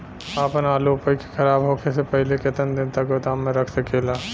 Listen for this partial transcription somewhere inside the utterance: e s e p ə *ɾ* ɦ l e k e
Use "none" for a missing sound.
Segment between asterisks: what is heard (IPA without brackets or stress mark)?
none